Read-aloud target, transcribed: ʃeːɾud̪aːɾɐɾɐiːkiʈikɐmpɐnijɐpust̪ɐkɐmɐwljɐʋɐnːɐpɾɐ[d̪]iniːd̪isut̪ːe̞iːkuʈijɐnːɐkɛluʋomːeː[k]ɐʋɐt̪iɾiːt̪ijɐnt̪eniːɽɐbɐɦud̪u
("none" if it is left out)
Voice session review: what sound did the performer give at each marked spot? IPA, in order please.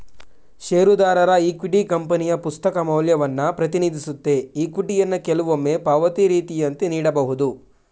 t̪, p

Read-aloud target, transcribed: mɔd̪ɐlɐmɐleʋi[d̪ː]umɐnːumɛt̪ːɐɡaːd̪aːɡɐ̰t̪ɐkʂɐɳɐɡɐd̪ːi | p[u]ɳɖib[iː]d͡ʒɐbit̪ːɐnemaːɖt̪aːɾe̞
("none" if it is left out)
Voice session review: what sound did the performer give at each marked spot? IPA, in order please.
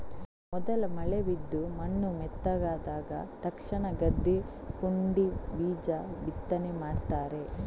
d̪ː, u, iː

